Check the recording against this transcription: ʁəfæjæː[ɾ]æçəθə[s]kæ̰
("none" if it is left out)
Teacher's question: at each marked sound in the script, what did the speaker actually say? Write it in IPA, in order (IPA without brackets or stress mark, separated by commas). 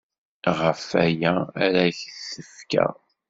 ɾ, f